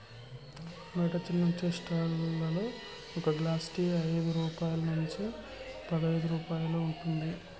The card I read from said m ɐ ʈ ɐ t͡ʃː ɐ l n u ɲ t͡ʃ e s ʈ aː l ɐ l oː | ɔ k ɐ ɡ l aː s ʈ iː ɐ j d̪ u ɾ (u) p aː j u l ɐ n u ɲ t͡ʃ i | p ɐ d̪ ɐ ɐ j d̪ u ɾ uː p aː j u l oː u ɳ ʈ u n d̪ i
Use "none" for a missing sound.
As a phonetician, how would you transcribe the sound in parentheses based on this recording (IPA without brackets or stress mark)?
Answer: uː